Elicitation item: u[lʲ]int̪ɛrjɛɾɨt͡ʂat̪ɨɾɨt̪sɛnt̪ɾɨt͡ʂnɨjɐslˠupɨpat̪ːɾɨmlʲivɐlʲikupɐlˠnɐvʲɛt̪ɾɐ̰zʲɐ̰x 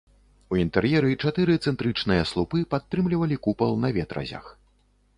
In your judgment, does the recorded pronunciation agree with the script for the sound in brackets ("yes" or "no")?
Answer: no